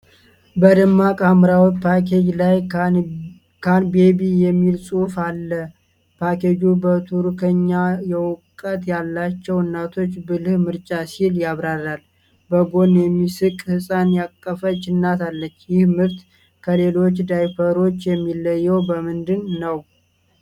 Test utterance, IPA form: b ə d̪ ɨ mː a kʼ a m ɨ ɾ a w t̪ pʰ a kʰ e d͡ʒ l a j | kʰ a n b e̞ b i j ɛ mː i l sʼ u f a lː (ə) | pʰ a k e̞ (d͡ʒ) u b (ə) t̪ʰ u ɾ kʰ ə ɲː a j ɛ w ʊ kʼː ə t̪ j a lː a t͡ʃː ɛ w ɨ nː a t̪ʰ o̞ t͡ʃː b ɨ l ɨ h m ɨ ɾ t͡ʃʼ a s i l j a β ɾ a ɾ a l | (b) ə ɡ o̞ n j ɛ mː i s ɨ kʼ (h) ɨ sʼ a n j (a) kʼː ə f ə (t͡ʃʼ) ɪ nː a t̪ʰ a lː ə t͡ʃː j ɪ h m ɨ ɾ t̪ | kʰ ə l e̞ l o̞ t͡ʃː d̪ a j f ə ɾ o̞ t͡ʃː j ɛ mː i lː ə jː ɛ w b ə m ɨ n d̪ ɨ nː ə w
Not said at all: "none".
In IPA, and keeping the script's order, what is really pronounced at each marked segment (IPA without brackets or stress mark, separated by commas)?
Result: ə, d͡ʒ, ə, b, h, a, t͡ʃ